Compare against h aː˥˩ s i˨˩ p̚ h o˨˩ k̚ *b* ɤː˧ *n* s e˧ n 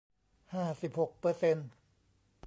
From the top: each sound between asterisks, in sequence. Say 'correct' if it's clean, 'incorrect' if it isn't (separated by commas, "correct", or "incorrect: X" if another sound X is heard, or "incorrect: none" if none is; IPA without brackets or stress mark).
incorrect: p, incorrect: none